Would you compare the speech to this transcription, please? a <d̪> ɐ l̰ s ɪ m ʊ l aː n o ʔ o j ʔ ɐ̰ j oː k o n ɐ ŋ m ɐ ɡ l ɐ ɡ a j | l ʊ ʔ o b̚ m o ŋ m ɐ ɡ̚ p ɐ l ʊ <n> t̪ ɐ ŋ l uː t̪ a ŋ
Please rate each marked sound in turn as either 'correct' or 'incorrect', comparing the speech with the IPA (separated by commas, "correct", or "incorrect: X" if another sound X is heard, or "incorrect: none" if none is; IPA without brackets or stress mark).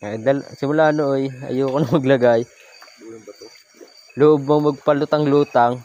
correct, incorrect: none